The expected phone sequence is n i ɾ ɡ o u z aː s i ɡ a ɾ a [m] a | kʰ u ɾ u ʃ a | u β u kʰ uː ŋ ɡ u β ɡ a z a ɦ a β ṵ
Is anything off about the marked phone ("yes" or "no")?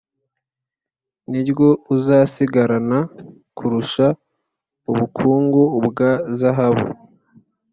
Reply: yes